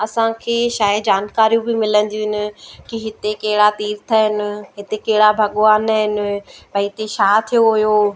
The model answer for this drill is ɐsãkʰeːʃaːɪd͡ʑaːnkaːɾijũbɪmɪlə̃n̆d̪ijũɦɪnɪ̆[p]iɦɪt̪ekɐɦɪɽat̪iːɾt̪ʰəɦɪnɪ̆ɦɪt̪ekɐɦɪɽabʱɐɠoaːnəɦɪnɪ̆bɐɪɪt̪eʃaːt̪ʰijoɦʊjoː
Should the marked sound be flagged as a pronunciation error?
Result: yes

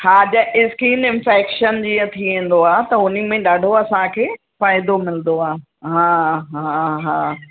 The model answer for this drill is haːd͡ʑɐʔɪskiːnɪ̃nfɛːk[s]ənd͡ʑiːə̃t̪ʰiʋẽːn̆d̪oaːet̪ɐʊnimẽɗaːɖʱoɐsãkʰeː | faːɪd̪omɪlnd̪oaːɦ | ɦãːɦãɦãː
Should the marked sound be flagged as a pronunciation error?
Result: yes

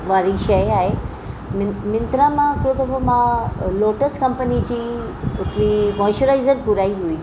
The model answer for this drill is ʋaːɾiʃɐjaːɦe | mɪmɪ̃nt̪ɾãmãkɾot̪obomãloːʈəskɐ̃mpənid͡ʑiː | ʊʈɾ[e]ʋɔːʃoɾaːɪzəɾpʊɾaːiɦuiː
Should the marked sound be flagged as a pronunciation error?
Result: yes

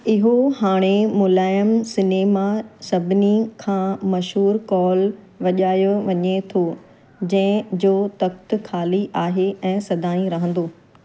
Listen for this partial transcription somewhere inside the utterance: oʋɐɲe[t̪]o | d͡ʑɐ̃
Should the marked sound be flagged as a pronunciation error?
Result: yes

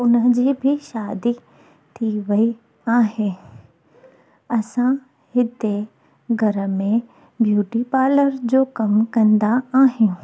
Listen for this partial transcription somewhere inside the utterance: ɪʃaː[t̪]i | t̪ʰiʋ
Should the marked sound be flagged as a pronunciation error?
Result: yes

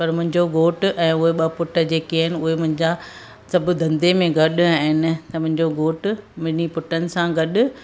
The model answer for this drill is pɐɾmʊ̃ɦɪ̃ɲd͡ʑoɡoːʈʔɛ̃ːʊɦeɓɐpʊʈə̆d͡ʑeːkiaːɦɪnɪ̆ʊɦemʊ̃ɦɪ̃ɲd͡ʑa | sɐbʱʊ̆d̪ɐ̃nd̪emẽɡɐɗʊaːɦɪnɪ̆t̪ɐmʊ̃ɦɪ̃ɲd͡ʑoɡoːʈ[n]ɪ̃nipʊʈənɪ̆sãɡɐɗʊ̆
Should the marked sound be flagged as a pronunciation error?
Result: yes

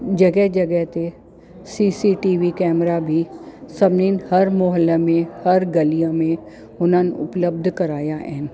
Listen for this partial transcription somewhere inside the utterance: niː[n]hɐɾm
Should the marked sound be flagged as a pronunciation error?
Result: no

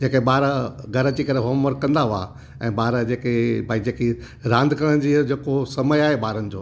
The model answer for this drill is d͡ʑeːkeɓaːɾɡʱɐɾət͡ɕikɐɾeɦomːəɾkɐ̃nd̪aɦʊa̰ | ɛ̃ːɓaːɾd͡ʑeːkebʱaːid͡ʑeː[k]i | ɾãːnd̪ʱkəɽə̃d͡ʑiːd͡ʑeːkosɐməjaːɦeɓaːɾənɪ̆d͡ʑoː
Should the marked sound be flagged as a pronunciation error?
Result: no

